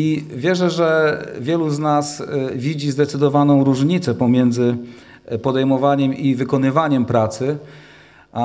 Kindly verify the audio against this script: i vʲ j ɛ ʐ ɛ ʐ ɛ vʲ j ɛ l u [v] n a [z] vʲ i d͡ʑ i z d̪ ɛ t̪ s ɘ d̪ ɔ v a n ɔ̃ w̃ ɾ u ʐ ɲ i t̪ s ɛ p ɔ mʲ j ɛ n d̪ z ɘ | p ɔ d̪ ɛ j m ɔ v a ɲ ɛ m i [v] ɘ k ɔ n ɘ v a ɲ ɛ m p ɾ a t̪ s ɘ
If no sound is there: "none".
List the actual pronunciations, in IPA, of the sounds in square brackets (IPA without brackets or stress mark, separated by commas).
z, s, v